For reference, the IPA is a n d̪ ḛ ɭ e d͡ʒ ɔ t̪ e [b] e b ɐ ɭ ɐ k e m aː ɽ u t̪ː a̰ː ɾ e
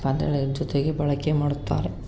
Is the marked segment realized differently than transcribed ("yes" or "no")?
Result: yes